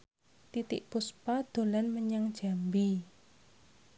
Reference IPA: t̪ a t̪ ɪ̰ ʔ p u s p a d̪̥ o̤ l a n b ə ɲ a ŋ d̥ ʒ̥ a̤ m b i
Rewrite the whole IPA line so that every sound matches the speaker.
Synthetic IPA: t̪ i t̪ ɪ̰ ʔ p u s p a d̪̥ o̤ l a n m ə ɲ a ŋ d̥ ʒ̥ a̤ m b i